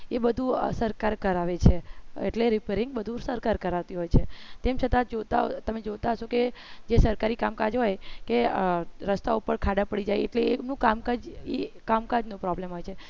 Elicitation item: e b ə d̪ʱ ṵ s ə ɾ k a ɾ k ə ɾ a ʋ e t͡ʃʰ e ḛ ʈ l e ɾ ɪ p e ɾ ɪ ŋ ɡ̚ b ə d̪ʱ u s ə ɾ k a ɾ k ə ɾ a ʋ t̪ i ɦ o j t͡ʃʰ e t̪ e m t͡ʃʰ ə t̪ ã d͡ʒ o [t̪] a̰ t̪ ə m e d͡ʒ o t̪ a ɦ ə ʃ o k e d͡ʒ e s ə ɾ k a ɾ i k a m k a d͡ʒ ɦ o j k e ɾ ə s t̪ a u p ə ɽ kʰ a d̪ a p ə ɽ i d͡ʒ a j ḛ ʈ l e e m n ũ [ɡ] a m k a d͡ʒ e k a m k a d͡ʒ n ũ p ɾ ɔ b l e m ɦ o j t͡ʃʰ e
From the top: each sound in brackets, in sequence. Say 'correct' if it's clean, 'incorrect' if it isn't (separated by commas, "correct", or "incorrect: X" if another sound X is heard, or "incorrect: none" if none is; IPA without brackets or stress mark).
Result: correct, incorrect: k